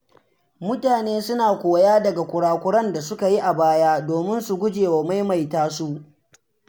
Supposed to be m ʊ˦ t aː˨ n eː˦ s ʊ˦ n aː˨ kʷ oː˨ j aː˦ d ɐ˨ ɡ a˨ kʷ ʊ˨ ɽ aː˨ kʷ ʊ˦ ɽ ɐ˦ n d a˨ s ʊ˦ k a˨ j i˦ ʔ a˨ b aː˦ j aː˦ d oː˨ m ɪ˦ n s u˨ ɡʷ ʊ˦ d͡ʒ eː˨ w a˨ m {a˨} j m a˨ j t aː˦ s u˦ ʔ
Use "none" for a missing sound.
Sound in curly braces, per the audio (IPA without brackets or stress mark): a˦